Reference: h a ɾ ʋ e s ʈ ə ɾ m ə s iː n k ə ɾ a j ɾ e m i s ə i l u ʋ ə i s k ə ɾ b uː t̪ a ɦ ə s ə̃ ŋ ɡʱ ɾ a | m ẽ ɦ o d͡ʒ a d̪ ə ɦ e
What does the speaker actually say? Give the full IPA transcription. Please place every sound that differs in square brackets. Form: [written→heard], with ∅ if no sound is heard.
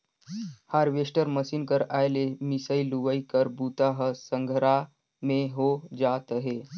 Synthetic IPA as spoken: h a ɾ ʋ e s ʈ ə ɾ m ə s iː n k ə ɾ a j [ɾ→l] e m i s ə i l u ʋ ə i [s→∅] k ə ɾ b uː t̪ a ɦ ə s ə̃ ŋ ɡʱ ɾ a | m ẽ ɦ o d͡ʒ a [d̪→t̪] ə ɦ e